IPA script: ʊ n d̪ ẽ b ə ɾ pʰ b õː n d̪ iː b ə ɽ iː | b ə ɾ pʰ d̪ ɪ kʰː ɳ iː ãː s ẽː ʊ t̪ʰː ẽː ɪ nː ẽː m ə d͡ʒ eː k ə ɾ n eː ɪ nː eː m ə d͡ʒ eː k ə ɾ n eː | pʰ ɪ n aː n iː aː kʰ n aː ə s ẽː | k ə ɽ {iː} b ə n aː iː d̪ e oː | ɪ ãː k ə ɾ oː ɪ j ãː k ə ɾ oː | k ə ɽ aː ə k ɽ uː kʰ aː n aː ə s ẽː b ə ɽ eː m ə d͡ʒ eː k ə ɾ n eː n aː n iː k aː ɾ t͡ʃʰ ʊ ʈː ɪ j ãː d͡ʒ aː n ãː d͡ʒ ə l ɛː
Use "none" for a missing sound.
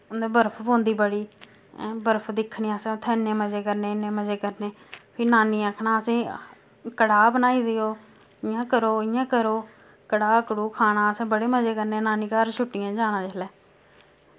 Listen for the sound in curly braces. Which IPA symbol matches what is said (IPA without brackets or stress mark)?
aː